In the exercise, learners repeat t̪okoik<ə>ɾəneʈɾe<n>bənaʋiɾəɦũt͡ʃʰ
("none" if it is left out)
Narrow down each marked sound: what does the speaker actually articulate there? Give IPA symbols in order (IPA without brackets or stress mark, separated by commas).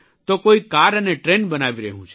a, n